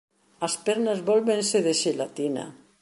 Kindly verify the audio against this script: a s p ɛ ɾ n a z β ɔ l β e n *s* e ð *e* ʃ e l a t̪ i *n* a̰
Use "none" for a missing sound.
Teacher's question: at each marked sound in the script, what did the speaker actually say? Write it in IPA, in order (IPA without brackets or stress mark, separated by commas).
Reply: s, e, n